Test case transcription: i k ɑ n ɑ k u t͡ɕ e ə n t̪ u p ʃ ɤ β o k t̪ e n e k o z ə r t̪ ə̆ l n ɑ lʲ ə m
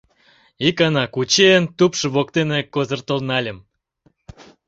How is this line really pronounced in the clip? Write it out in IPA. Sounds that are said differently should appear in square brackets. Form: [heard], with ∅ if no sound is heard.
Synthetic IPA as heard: i k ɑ n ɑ k u t͡ɕ e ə n t̪ u p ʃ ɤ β o k t̪ e n e k o z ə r t̪ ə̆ l n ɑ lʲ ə m